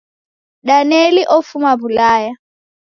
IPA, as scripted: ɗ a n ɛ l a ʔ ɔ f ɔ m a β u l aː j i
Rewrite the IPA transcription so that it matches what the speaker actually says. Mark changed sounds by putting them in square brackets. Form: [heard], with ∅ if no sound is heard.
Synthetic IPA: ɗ a n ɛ l [i] ʔ ɔ f [u] m a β u l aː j [a]